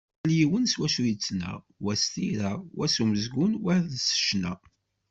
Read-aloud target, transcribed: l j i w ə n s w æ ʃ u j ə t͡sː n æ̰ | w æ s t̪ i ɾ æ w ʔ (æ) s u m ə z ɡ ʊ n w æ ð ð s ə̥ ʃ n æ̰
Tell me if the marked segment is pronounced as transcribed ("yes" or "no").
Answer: yes